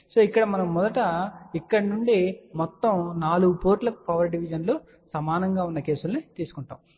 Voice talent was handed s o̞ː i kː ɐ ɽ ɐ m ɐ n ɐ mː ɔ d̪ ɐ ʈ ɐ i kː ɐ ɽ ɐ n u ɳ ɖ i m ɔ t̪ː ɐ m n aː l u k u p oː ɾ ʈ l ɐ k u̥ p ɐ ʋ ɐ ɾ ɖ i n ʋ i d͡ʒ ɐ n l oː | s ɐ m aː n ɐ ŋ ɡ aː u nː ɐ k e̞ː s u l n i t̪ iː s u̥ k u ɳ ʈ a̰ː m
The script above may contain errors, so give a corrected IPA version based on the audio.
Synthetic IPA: s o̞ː i kː ɐ ɽ ɐ m ɐ n ɐ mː ɔ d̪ ɐ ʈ ɐ i kː ɐ ɽ ɐ n u ɳ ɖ i m ɔ t̪ː ɐ m n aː l u ɡ u p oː ɾ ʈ l ɐ k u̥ p ɐ ʋ ɐ ɾ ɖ i ʋ i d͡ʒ ɐ n l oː | s ɐ m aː n ɐ ŋ ɡ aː u nː ɐ k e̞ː s u l n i t̪ iː s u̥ k u ɳ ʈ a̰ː m

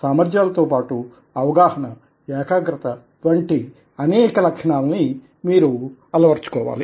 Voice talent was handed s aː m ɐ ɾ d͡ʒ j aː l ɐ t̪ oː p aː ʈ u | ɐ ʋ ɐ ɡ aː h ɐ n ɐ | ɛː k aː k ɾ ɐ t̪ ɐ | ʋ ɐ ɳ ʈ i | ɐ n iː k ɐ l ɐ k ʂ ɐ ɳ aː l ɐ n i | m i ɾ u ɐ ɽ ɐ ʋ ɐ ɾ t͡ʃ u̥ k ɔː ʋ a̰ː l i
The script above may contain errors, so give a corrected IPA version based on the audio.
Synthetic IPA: s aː m ɐ ɾ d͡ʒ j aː l ɐ t̪ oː p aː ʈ u | ɐ ʋ ɐ ɡ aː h ɐ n ɐ | ɛː k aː ɡ ɾ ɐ t̪ ɐ | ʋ ɐ ɳ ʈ i | ɐ n ɛː k ɐ l ɐ k ʂ ɐ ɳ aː l ɐ n i | m iː ɾ u ɐ l ɐ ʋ ɐ ɾ t͡ʃ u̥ k ɔː ʋ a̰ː l i

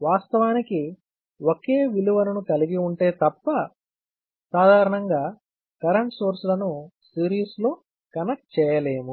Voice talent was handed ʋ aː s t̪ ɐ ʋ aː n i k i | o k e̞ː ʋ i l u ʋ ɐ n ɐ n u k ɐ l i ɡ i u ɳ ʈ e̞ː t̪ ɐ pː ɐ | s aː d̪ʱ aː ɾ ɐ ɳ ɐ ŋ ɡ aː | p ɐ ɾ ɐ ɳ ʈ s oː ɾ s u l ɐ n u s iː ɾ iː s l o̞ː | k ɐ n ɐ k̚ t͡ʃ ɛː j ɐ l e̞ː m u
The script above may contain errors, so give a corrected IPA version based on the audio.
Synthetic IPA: ʋ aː s t̪ ɐ ʋ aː n i k i | o k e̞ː ʋ i l u ʋ ɐ n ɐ n u k ɐ l i ɡ i u ɳ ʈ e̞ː t̪ ɐ pː ɐ | s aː d̪ʱ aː ɾ ɐ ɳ ɐ ŋ ɡ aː | k ɐ ɾ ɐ ɳ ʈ s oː ɾ s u l ɐ n u s iː ɾ iː s l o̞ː | k ɐ n ɐ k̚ t͡ʃ ɛː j ɐ l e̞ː m u

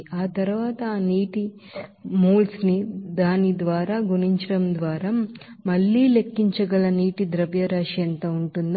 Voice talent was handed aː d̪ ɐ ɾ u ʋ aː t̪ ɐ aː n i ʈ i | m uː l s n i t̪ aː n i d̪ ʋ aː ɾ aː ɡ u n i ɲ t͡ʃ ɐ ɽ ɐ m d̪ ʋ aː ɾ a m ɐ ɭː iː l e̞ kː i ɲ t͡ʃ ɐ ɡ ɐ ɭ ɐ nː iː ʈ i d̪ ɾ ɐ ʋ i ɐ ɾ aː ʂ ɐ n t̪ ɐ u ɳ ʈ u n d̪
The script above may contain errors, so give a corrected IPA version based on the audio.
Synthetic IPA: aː t̪ ɐ ɾ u ʋ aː t̪ ɐ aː n iː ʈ i | m uː l s n i d̪ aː n i d̪ ʋ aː ɾ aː ɡ u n i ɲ t͡ʃ ɐ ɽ ɐ m d̪ ʋ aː ɾ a m ɐ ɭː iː l e̞ kː i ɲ t͡ʃ ɐ ɡ ɐ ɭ ɐ n iː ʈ i d̪ ɾ ɐ ʋ j ɐ ɾ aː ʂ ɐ n t̪ ɐ u ɳ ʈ u n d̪

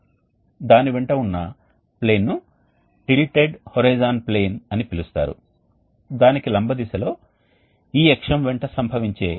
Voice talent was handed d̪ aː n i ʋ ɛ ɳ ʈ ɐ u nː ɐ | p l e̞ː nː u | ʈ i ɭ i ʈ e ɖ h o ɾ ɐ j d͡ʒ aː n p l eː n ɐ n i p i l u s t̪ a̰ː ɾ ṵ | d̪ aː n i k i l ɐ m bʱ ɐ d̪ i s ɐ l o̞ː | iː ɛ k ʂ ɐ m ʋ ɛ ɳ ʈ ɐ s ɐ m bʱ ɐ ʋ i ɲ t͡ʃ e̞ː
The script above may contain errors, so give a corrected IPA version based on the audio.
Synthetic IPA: d̪ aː n i ʋ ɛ ɳ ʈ ɐ u nː ɐ | p l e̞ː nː u | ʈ i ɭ i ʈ e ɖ h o ɾ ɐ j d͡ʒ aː n p l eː n ɐ n i p i l u s t̪ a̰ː ɾ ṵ | d̪ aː n i k i l ɐ m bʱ ɐ d̪ i s ɐ l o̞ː | iː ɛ k ʂ ɐ m ʋ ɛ ɳ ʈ ɐ s ɐ m bʱ ɐ ʋ i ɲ t͡ʃ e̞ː

